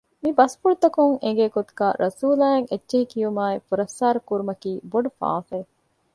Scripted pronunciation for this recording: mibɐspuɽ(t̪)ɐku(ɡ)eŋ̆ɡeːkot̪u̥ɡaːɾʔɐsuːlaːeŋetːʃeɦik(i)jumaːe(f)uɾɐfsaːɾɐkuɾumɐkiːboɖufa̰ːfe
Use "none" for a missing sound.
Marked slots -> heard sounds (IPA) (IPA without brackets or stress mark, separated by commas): t̪, ŋ, i, f